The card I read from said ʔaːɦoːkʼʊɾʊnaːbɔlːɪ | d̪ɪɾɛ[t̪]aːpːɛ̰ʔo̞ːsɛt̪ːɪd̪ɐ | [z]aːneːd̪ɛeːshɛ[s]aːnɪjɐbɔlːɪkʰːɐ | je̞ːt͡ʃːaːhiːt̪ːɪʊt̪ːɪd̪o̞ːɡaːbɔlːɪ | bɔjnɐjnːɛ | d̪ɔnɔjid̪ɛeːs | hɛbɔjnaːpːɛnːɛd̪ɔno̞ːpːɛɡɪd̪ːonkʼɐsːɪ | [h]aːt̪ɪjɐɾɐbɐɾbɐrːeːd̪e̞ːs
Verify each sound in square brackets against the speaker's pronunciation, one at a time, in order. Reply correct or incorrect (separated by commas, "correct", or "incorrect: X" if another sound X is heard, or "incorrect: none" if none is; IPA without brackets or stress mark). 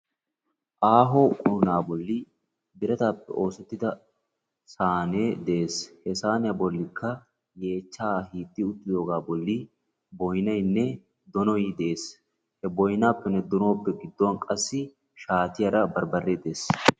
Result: correct, incorrect: s, correct, incorrect: ʃ